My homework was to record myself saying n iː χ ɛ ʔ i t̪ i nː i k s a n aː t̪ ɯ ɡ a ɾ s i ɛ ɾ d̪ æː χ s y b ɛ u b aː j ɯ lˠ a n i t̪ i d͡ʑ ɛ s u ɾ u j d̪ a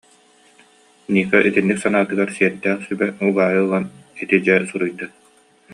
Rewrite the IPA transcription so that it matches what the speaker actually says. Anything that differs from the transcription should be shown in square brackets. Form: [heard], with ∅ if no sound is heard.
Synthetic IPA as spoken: n iː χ ɛ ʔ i t̪ i nː i k s a n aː t̪ ɯ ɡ a ɾ s i ɛ ɾ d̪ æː χ s y b ɛ u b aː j ɯ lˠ a n i t̪ i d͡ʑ ɛ s u ɾ u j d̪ a